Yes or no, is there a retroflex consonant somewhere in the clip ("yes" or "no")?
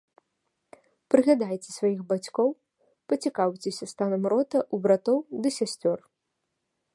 no